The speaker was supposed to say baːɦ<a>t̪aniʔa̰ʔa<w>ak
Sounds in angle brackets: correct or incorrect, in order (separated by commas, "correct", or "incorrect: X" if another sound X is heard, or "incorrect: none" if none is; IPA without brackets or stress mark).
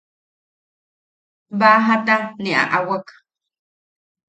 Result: correct, correct